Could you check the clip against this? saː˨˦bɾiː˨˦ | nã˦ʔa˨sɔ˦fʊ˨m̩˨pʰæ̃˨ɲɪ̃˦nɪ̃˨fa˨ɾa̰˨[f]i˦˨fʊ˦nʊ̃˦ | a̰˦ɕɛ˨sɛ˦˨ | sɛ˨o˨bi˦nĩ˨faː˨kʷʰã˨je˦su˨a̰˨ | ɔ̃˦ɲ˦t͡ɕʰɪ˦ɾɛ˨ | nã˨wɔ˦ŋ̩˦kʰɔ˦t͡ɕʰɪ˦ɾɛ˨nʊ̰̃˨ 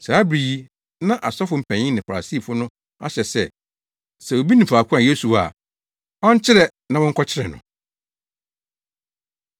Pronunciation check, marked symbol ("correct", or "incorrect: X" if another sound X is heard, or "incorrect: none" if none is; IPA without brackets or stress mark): incorrect: s